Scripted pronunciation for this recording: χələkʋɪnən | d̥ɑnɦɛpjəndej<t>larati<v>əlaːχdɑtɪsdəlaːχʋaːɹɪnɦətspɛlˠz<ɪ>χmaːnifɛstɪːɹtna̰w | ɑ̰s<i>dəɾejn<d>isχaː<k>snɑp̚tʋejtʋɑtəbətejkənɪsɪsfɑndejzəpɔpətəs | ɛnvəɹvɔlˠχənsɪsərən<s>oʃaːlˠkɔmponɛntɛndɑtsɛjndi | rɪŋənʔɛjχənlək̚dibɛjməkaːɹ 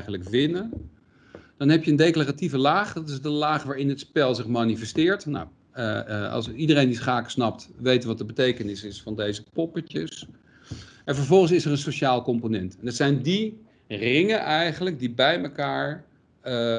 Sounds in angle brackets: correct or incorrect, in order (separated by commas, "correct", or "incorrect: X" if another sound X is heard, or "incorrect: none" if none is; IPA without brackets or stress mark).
incorrect: k, correct, correct, correct, correct, correct, correct